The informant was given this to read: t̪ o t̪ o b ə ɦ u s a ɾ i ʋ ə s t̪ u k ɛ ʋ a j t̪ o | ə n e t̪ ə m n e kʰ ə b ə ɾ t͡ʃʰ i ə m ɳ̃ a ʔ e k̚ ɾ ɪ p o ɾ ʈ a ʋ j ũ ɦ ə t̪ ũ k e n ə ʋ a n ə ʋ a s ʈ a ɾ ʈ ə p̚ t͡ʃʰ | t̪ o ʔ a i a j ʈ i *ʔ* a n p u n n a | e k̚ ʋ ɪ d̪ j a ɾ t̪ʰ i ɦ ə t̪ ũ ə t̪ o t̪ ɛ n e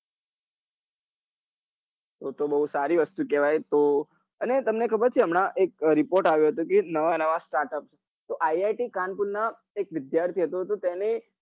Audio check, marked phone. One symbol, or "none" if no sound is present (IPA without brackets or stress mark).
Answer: k